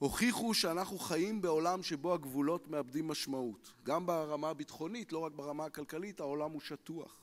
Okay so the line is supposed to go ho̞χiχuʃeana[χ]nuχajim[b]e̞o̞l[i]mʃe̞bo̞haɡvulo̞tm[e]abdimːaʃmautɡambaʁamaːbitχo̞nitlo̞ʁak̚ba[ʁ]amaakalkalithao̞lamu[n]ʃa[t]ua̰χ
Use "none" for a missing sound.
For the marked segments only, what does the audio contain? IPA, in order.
χ, b, a, e, ʁ, none, t

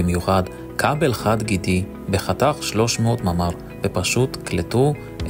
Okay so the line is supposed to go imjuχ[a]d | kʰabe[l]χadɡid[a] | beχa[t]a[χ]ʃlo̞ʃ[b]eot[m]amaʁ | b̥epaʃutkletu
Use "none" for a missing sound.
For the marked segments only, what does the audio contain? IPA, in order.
a, l, i, t, χ, m, m

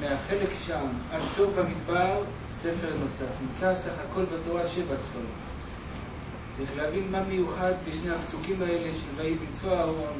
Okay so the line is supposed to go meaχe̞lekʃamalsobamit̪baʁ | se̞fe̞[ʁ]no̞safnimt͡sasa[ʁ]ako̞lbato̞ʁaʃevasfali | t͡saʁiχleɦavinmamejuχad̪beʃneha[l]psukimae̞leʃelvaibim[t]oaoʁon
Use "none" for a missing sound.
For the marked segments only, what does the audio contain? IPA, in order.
ʁ, χ, none, t͡s

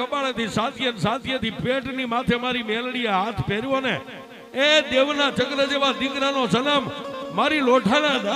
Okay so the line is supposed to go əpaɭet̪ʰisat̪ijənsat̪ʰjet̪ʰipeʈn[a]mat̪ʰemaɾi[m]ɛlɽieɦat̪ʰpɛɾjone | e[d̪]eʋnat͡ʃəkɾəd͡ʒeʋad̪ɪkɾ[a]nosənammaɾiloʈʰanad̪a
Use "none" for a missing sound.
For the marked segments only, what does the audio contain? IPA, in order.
i, m, d̪, a

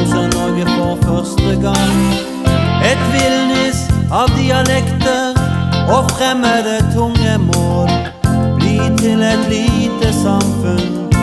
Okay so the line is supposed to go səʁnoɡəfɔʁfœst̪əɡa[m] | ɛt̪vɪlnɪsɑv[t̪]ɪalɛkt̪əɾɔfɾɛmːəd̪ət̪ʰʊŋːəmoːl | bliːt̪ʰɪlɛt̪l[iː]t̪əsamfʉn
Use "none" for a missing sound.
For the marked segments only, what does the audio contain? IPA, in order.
ŋ, d̪, iː

